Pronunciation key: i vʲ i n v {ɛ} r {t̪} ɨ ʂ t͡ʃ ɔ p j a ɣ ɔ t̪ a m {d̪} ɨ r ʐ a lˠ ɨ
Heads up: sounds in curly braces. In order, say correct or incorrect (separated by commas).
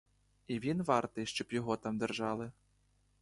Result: incorrect, correct, correct